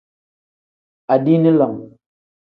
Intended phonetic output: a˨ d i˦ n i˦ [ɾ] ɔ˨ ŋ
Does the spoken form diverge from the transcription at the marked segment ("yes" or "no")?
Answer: yes